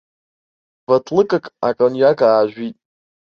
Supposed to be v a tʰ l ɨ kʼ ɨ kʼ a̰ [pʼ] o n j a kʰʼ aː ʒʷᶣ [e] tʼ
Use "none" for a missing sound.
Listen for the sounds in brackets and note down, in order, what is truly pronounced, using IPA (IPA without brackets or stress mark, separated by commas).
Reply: kʼ, i